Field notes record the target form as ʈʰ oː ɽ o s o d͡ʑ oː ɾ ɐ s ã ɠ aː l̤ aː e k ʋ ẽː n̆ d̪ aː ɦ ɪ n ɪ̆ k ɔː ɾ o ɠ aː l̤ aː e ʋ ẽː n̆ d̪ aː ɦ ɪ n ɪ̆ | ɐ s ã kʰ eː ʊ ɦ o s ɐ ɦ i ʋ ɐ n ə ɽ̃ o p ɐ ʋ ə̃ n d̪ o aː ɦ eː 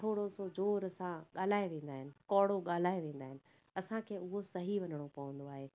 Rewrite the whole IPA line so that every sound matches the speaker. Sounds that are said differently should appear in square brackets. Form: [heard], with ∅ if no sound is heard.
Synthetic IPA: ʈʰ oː ɽ o s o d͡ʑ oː ɾ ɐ s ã ɠ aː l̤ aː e [∅] ʋ ẽː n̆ d̪ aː ɦ ɪ n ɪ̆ k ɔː [ɽ] o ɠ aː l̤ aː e ʋ ẽː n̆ d̪ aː ɦ ɪ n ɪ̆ | ɐ s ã kʰ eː ʊ ɦ o s ɐ ɦ i ʋ ɐ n ə ɽ̃ o p ɐ ʋ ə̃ n d̪ o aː ɦ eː

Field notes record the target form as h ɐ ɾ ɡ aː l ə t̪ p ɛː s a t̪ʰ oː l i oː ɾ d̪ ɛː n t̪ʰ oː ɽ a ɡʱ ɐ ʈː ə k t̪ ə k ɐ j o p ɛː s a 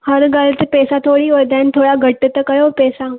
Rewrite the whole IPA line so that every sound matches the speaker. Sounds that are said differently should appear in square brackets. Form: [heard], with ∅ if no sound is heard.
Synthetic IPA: h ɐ ɾ ɡ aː l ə t̪ p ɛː s a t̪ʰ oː [ɽ] i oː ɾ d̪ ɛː n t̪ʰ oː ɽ a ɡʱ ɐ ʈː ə [∅] t̪ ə k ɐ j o p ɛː s a

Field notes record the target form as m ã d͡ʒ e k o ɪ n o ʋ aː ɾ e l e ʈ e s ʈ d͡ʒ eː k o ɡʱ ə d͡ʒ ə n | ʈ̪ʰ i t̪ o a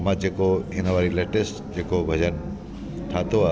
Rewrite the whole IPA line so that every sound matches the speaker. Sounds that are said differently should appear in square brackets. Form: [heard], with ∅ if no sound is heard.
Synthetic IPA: m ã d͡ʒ e k o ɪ n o ʋ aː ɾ [i] l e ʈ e s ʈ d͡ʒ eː k o [bʱ] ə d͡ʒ ə n | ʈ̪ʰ [a] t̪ o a

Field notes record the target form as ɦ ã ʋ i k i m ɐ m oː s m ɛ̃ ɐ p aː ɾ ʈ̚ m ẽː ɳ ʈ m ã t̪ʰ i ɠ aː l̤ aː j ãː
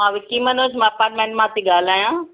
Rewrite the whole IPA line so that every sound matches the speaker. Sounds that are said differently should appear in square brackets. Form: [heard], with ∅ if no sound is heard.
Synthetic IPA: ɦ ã ʋ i k i m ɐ [n] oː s m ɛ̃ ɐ p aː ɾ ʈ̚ m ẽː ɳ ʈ m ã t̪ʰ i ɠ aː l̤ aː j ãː

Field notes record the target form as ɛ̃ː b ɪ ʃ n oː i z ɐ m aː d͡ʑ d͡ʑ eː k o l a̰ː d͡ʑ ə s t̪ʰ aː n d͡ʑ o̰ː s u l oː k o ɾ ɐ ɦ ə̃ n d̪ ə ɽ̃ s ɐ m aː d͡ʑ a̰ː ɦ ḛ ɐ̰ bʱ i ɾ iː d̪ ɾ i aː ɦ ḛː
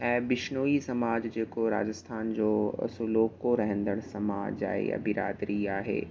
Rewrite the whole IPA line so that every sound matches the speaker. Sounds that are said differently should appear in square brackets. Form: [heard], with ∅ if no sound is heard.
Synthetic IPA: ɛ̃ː b ɪ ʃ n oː i [s] ɐ m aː d͡ʑ d͡ʑ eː k o [ɾ] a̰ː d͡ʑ ə s t̪ʰ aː n d͡ʑ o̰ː s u l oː k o ɾ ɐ ɦ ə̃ n d̪ ə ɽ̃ s ɐ m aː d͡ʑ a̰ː ɦ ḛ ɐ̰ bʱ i ɾ [aː] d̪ ɾ i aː ɦ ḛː

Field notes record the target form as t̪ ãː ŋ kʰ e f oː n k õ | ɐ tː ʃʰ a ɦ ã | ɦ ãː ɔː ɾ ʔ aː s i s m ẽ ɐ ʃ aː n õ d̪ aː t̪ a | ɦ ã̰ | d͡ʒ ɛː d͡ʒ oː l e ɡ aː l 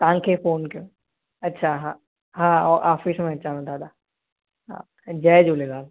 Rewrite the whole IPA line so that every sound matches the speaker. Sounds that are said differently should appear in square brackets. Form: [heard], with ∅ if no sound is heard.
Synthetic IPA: t̪ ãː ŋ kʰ e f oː n k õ | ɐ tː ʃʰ a ɦ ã | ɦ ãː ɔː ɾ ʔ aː [f] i s m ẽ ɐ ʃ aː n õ d̪ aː [d̪] a | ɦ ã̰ | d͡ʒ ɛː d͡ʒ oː l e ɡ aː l

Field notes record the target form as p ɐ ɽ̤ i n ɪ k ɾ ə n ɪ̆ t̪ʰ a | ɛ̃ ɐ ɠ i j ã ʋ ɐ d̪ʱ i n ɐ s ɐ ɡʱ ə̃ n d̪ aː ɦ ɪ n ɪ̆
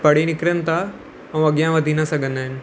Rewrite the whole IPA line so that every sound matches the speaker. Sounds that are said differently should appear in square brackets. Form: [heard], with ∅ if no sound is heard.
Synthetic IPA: p ɐ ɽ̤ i n ɪ k ɾ ə n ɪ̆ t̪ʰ a | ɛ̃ ɐ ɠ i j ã ʋ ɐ d̪ʱ i n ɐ s ɐ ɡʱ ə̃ n d̪ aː ɦ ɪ n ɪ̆

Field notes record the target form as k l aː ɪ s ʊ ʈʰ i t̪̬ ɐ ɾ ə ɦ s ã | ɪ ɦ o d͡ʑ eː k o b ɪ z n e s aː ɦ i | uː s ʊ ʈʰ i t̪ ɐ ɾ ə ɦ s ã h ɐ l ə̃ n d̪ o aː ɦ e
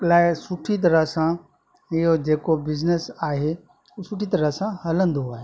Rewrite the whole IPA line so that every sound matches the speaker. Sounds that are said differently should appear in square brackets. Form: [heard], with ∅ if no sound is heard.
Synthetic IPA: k l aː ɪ s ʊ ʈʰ i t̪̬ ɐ ɾ ə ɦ s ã | ɪ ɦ o d͡ʑ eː k o b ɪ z n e s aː ɦ [e] | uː s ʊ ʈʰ i t̪ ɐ ɾ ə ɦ s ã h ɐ l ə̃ n d̪ o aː ɦ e

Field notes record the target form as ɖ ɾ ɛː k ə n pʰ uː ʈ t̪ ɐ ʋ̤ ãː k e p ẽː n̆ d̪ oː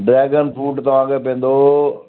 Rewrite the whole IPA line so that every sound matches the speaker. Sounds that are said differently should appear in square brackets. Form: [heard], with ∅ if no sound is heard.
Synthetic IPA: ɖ ɾ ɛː [ɡ] ə n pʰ uː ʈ t̪ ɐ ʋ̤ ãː k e p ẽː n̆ d̪ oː

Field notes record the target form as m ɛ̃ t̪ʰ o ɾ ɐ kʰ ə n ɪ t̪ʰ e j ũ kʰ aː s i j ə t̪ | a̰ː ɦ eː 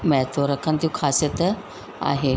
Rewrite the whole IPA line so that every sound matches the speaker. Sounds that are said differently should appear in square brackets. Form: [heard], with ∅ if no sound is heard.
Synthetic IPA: m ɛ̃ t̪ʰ o ɾ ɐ kʰ ə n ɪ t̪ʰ [i] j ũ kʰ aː s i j ə t̪ | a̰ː ɦ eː

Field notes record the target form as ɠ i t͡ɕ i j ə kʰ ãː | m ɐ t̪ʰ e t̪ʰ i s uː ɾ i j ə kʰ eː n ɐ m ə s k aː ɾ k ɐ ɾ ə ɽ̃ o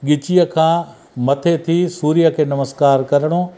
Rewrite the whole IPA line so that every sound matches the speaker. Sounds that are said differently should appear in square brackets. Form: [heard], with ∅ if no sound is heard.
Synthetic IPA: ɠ [ɪ] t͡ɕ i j ə kʰ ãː | m ɐ t̪ʰ e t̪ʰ i s uː ɾ i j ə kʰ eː n ɐ m ə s k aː ɾ k ɐ ɾ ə ɽ̃ o

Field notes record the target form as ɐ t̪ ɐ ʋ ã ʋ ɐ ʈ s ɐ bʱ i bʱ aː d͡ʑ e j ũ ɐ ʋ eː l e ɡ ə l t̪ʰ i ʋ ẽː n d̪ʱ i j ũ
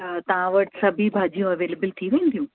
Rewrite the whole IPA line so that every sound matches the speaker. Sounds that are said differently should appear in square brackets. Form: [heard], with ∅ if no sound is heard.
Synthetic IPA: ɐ t̪ ɐ ʋ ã ʋ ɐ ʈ s ɐ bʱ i bʱ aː d͡ʑ [i] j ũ ɐ ʋ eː l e [b] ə l t̪ʰ i ʋ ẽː n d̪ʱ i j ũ

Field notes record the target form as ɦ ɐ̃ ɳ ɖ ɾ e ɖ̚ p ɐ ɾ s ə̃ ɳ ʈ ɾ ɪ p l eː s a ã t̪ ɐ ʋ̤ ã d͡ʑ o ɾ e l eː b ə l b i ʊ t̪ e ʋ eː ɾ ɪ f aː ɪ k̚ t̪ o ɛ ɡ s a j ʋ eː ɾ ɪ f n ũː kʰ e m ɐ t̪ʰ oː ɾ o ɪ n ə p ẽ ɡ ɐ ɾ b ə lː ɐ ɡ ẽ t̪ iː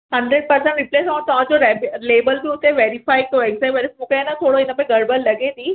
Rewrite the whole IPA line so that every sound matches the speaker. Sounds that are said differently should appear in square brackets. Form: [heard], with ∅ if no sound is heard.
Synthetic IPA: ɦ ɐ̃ ɳ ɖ ɾ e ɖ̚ p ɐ ɾ s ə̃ ɳ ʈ ɾ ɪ p l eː s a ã t̪ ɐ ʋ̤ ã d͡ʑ o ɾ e l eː b ə l b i ʊ t̪ e ʋ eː ɾ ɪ f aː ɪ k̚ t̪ o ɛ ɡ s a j ʋ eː ɾ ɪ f [m] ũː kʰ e [n] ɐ t̪ʰ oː [ɽ] o ɪ n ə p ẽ ɡ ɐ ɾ b ə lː ɐ ɡ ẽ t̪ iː

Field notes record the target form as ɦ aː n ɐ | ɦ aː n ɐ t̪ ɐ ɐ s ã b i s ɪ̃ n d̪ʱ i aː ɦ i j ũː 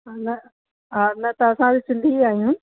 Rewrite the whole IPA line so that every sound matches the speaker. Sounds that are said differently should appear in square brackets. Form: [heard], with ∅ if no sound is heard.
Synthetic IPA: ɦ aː n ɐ | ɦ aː n ɐ t̪ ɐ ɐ s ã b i s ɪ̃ n d̪ʱ i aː ɦ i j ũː

